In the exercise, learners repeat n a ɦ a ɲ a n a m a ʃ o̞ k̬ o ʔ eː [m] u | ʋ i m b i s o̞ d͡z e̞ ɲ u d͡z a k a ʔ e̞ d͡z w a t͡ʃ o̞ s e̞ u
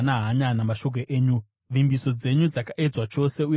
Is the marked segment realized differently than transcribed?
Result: yes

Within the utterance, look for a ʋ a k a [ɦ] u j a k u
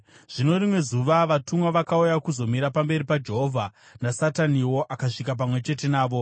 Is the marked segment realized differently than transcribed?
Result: yes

